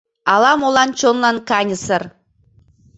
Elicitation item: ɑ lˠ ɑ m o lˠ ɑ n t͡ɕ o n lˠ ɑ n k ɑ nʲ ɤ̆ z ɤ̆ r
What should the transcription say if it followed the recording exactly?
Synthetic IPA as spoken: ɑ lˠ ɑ m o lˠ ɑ n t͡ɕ o n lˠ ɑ n k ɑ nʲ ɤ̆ s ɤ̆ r